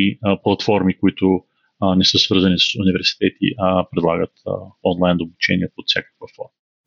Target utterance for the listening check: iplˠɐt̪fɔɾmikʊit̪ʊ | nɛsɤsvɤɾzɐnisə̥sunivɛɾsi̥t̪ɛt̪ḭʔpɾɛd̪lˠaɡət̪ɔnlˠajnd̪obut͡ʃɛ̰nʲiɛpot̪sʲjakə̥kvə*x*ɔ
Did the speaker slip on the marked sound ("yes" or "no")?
yes